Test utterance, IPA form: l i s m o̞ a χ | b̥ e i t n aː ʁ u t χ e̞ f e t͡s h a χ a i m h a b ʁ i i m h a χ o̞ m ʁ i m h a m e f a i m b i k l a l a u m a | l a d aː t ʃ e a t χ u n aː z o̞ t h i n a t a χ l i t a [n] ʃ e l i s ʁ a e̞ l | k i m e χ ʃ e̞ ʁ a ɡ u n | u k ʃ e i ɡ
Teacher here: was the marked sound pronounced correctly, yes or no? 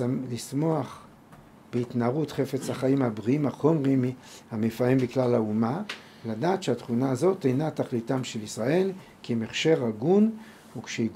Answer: no